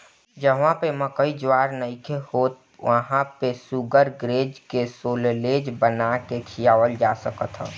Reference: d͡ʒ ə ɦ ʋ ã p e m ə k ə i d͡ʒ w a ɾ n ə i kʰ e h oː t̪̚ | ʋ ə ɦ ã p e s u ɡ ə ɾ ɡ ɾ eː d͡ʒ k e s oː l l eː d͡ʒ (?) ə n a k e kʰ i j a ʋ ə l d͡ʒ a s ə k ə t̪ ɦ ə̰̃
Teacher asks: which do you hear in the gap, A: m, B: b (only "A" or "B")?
B